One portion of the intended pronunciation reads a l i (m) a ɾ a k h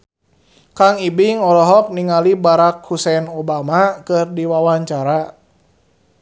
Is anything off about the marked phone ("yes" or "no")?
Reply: yes